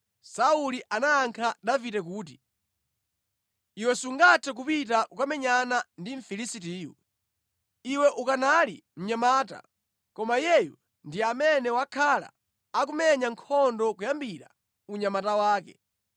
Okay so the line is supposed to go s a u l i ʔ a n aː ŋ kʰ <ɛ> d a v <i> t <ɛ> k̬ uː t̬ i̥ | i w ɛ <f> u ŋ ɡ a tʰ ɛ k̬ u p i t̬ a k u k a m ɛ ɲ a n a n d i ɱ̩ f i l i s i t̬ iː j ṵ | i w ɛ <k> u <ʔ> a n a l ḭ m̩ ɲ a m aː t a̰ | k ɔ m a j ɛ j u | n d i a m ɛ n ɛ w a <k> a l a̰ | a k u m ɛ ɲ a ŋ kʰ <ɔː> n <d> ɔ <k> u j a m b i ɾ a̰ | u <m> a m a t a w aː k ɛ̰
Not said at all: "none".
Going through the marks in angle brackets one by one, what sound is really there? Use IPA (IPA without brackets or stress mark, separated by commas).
a, i, ɛ, s, ʔ, k, kʰ, ɔ, d, k, ɲ